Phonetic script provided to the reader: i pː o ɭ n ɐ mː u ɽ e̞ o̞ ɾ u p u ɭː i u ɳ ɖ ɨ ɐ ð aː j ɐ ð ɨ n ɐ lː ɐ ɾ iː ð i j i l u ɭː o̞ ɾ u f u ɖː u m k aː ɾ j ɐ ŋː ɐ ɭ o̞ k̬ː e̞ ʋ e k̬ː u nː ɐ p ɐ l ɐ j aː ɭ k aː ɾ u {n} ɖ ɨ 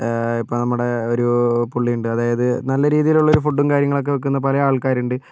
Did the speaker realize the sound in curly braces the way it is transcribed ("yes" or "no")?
no